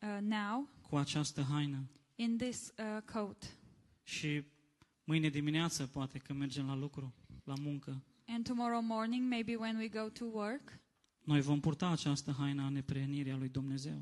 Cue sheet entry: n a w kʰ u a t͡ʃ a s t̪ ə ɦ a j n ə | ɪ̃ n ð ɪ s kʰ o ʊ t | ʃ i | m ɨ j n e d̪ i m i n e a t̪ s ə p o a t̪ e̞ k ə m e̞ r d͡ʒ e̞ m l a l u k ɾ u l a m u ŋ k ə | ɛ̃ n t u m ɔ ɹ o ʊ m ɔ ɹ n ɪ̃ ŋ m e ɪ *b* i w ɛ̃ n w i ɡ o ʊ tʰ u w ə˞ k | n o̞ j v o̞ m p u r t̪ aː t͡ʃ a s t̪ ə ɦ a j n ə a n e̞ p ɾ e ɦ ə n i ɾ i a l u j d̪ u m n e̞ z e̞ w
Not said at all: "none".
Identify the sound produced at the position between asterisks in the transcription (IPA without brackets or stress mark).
b